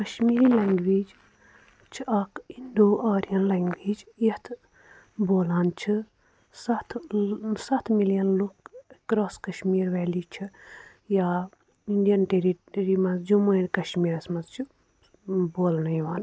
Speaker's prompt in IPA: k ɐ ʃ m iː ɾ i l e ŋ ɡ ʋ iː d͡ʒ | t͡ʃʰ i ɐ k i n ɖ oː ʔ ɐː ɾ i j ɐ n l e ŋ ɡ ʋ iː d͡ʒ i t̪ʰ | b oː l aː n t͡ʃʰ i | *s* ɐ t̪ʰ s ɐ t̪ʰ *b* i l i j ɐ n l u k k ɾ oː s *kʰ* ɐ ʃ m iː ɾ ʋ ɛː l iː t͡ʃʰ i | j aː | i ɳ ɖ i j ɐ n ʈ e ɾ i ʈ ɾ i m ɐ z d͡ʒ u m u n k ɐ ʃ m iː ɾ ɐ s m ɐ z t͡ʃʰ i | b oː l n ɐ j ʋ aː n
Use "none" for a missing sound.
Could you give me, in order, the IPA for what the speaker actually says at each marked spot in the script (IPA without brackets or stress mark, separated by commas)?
s, m, k